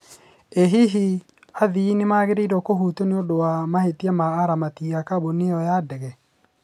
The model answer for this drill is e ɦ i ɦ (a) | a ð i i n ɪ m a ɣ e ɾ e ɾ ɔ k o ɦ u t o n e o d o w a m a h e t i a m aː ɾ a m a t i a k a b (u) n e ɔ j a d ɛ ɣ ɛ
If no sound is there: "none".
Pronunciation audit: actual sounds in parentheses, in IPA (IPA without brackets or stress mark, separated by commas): i, o